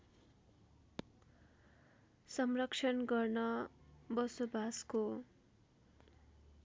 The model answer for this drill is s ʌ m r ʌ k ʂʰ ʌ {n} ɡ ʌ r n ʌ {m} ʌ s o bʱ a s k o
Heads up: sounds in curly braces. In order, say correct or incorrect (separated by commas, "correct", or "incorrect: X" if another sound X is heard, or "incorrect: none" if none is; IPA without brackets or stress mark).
correct, incorrect: b